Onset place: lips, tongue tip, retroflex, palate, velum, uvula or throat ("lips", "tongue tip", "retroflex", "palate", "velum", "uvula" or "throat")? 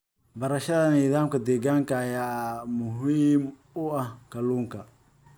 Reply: lips